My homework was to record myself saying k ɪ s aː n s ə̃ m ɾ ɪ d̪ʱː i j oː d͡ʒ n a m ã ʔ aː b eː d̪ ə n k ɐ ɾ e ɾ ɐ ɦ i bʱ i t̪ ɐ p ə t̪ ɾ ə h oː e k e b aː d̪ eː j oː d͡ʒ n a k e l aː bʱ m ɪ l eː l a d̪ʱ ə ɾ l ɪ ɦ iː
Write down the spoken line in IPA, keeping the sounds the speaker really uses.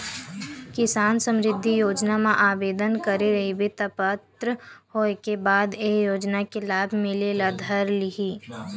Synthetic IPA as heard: k ɪ s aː n s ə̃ m ɾ ɪ d̪ʱː i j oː d͡ʒ n a m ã ʔ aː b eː d̪ ə n k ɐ ɾ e ɾ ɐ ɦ i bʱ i t̪ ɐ p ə t̪ ɾ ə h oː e k e b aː d̪ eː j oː d͡ʒ n a k e l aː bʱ m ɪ l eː l a d̪ʱ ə ɾ l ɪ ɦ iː